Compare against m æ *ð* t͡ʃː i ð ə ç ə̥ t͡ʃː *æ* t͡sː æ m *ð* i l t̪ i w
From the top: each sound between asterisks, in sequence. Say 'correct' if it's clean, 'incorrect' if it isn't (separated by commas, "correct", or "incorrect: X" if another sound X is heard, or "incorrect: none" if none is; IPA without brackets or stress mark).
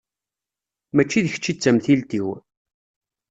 incorrect: none, incorrect: i, incorrect: θ